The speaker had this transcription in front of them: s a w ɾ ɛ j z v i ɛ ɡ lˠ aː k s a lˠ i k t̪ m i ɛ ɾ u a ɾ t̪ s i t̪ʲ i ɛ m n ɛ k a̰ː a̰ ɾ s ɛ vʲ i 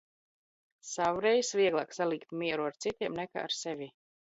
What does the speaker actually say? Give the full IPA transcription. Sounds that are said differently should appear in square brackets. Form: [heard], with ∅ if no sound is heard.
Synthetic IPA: s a w ɾ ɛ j [s] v i ɛ ɡ lˠ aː k s a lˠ i k t̪ m i ɛ ɾ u a ɾ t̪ s i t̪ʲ i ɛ m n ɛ k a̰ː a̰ ɾ s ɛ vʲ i